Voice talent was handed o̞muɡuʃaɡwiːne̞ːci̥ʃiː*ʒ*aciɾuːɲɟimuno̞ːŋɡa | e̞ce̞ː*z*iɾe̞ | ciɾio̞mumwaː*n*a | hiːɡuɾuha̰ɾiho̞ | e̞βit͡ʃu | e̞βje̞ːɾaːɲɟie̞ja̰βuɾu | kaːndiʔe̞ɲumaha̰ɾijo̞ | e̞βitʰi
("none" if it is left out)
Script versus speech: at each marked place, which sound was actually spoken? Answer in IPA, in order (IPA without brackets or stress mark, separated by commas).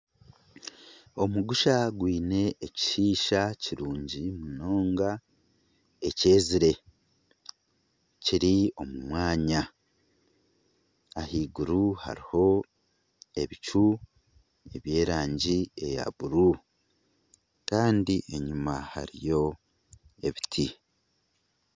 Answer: ʃ, z, ɲ